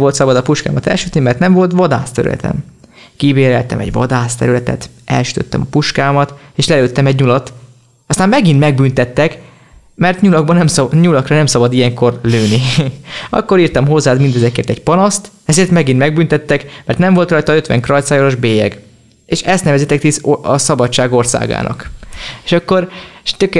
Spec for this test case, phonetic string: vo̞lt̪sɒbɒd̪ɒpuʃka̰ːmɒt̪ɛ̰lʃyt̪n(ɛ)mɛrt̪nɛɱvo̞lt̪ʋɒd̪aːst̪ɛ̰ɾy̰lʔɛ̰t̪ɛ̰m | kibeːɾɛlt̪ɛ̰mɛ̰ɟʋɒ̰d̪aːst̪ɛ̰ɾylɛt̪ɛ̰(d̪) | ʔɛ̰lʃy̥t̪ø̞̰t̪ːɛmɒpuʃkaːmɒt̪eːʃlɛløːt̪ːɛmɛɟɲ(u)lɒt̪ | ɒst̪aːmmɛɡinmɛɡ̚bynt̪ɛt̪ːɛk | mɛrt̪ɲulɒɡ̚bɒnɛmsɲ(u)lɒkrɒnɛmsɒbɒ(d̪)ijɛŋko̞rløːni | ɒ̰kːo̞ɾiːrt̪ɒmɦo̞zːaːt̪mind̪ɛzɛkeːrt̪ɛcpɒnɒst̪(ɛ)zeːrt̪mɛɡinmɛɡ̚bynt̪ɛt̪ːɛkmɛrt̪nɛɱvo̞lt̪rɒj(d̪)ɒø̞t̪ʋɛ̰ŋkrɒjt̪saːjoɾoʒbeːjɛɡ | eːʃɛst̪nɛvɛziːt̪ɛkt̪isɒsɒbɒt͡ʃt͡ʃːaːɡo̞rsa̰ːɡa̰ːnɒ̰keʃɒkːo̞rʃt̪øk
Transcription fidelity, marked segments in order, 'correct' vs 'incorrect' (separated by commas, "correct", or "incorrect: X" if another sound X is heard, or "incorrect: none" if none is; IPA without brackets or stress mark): incorrect: i, incorrect: t̪, correct, correct, correct, correct, incorrect: t̪